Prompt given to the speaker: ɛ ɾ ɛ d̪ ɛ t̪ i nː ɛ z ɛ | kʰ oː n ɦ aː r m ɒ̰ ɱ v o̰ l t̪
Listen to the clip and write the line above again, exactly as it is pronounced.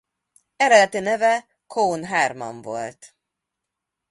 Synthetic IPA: ɛ ɾ ɛ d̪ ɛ t̪ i n ɛ v ɛ | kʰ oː n ɦ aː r m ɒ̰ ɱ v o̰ l t̪